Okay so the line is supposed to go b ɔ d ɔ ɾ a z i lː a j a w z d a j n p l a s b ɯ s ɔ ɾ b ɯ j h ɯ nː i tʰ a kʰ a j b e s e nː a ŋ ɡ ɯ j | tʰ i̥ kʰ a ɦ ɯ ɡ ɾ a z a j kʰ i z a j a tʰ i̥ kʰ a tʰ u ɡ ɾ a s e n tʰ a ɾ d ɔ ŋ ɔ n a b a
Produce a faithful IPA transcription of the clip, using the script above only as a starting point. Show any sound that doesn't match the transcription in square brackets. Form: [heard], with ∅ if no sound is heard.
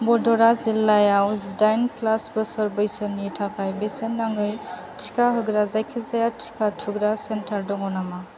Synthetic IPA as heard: b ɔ d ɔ ɾ a z i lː a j a w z d a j n p l a s b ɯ s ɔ ɾ b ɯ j [s] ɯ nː i tʰ a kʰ a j b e s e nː a ŋ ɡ ɯ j | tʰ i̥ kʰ a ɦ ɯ ɡ ɾ a z a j kʰ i z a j a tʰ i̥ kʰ a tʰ u ɡ ɾ a s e n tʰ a ɾ d ɔ ŋ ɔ n a [m] a